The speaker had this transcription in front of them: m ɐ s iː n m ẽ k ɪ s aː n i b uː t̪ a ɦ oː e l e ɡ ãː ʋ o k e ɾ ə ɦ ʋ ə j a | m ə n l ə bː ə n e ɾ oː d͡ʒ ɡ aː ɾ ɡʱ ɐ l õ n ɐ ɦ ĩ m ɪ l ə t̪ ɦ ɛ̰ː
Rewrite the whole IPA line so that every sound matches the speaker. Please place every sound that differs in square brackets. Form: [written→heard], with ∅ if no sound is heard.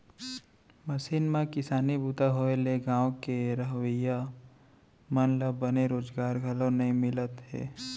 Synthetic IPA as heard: m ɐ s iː n m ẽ k ɪ s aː n i b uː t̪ a ɦ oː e l e ɡ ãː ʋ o k e ɾ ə ɦ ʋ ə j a | m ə n l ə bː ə n e ɾ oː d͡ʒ ɡ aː ɾ ɡʱ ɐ l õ n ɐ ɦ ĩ m ɪ l ə t̪ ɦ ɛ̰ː

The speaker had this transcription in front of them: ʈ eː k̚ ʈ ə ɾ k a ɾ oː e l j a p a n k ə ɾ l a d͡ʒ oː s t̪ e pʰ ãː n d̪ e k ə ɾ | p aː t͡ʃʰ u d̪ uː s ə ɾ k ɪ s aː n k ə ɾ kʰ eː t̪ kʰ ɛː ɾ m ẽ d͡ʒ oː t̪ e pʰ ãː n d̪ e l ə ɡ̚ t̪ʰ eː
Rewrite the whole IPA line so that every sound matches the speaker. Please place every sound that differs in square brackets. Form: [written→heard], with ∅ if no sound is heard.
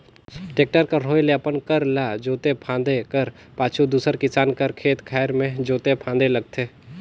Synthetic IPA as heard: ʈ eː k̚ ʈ ə ɾ k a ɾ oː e l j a p [a→ə] n k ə ɾ l a d͡ʒ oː [s→∅] t̪ e pʰ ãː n d̪ e k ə ɾ | p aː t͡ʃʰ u d̪ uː s ə ɾ k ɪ s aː n k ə ɾ kʰ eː t̪ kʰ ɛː ɾ m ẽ d͡ʒ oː t̪ e pʰ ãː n d̪ e l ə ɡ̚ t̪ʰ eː

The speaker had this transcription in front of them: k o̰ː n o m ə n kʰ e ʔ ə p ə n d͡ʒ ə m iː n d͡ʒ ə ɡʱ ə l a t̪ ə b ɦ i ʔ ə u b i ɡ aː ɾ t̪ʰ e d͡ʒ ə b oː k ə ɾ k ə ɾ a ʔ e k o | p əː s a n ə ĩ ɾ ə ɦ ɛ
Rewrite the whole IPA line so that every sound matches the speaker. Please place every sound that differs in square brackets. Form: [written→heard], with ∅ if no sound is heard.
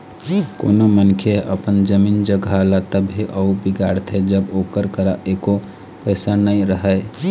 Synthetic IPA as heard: k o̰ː n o m ə n kʰ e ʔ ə p ə n d͡ʒ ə m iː n d͡ʒ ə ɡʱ [ə→a] l a t̪ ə b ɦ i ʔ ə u b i ɡ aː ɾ t̪ʰ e d͡ʒ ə b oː k ə ɾ k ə ɾ a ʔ e k o | p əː s a n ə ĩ ɾ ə ɦ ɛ

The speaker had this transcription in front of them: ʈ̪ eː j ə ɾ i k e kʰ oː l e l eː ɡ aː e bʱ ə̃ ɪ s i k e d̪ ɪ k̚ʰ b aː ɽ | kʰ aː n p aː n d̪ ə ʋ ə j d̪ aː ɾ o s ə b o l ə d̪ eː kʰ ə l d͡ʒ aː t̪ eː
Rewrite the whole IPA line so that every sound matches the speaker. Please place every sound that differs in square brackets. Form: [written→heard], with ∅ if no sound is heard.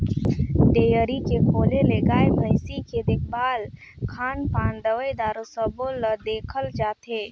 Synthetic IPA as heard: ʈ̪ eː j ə ɾ i k e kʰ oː l e l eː ɡ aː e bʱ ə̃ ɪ s i k e d̪ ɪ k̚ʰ b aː [ɽ→l] | kʰ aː n p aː n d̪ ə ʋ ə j d̪ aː ɾ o s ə b o l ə d̪ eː kʰ ə l d͡ʒ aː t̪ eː

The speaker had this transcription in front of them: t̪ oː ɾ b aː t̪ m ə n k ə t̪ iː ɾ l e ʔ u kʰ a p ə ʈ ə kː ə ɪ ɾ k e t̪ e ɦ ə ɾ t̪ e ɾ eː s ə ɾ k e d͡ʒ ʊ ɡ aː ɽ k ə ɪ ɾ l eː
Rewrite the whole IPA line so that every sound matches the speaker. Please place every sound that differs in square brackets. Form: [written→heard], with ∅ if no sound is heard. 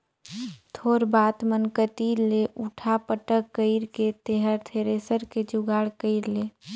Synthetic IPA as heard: [t̪→t̪ʰ] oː ɾ b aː t̪ m ə n k ə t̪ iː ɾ l e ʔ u [kʰ→ʈʰ] a p ə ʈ ə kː ə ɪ ɾ k e t̪ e ɦ ə ɾ [t̪→t̪ʰ] e ɾ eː s ə ɾ k e d͡ʒ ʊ ɡ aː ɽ k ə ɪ ɾ l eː

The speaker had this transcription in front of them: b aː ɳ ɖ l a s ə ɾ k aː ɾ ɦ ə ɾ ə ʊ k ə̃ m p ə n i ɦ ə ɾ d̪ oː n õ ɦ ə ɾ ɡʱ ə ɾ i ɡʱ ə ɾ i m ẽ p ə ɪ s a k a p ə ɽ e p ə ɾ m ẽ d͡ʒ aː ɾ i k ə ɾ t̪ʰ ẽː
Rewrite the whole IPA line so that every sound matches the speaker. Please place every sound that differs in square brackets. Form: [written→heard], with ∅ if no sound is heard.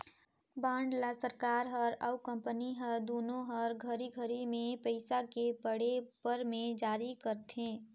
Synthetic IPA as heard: b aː ɳ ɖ l a s ə ɾ k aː ɾ ɦ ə ɾ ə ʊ k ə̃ m p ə n i ɦ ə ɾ d̪ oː n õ ɦ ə ɾ ɡʱ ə ɾ i ɡʱ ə ɾ i m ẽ p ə ɪ s a k [a→e] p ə ɽ e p ə ɾ m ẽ d͡ʒ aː ɾ i k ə ɾ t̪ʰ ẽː

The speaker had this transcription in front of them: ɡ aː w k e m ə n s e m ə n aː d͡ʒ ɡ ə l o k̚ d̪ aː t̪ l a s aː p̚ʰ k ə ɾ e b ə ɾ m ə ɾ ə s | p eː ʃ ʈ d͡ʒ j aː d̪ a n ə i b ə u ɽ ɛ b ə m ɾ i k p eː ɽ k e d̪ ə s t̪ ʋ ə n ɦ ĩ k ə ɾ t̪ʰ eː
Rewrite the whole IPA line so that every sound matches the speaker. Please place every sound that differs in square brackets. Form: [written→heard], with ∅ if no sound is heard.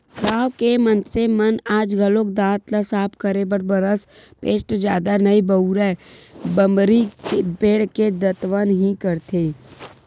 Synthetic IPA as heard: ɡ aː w k e m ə n s e m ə n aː d͡ʒ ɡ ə l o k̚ d̪ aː t̪ l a s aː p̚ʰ k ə ɾ e b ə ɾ [m→b] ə ɾ ə s | p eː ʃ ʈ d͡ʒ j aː d̪ a n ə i b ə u [ɽ→ɾ] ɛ b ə m ɾ i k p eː ɽ k e d̪ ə [s→∅] t̪ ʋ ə n ɦ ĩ k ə ɾ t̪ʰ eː

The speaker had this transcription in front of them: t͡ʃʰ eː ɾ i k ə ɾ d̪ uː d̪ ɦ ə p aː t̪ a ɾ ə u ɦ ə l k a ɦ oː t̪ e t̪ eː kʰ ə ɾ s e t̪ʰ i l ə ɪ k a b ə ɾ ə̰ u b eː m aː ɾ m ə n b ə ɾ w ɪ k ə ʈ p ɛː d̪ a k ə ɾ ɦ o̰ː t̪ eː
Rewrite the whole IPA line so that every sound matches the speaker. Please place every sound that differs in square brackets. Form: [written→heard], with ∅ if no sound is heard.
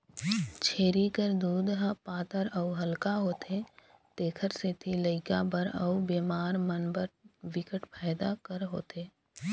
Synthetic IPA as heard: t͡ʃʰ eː ɾ i k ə ɾ d̪ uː d̪ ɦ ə p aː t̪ [a→ə] ɾ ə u ɦ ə l k a ɦ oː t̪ e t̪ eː kʰ ə ɾ s e t̪ʰ i l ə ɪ k a b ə ɾ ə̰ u b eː m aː ɾ m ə n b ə ɾ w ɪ k ə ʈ p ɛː d̪ a k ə ɾ ɦ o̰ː t̪ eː

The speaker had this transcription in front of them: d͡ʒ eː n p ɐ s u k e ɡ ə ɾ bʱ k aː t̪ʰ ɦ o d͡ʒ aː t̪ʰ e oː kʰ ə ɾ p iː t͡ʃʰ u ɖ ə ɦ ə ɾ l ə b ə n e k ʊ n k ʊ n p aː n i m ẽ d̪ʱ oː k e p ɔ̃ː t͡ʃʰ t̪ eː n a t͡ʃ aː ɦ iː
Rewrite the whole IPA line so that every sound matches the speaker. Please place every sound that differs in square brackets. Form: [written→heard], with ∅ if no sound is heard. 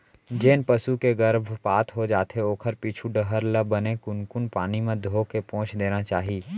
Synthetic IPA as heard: d͡ʒ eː n p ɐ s u k e ɡ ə ɾ bʱ [k→p] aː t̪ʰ ɦ o d͡ʒ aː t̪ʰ e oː kʰ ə ɾ p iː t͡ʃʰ u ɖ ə ɦ ə ɾ l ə b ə n e k ʊ n k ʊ n p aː n i m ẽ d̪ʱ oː k e p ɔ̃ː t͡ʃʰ [t̪→d̪] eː n a t͡ʃ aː ɦ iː

